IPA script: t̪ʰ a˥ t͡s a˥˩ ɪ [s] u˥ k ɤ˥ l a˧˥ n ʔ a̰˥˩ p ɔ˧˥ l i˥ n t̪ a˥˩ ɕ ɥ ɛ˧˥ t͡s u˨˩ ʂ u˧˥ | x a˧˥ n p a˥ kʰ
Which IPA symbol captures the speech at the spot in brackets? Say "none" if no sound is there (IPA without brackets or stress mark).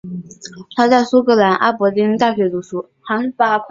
s